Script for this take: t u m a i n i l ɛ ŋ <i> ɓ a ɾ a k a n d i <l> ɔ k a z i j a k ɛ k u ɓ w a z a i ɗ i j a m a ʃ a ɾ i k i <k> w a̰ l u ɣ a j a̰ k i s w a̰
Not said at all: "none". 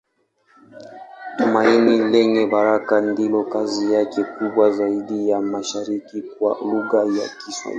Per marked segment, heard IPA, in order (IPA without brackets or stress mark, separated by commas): ɛ, l, k